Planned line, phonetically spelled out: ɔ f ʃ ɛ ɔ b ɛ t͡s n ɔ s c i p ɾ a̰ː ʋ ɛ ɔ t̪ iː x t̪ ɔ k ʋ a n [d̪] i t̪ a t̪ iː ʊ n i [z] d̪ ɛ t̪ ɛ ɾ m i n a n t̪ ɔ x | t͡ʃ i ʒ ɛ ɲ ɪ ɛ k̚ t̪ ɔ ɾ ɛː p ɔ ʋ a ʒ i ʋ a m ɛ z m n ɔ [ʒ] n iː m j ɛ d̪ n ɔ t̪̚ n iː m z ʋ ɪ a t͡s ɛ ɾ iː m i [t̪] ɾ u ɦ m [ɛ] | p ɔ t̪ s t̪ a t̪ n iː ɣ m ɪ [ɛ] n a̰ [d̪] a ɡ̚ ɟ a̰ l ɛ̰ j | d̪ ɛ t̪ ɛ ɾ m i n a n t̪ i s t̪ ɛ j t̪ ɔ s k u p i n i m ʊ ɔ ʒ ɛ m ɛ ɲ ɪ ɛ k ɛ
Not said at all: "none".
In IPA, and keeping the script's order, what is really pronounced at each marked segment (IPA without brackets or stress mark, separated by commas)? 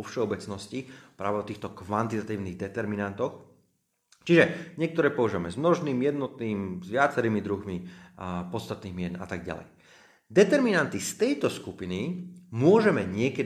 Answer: t̪, ɣ, ʒ, d̪, i, ɛ, t̪